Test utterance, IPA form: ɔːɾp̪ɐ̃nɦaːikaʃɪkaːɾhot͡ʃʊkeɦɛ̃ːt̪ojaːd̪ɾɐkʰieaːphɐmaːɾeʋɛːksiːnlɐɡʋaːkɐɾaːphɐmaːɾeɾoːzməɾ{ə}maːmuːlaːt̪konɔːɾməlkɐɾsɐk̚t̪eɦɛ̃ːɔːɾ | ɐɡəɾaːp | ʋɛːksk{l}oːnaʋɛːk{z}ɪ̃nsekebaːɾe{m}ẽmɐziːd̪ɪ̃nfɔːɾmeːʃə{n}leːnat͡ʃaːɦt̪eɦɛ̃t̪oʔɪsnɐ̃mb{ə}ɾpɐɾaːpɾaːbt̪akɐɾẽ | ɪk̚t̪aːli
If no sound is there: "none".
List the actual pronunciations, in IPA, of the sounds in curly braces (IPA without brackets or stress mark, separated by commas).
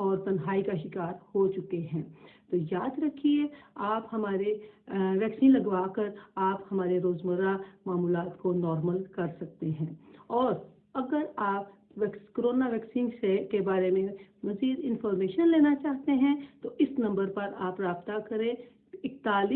a, ɾ, s, m, n, ə